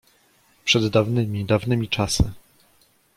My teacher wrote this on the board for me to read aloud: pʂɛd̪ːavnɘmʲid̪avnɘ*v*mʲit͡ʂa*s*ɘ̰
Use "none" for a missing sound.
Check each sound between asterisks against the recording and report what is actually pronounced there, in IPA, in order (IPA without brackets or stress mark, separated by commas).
none, s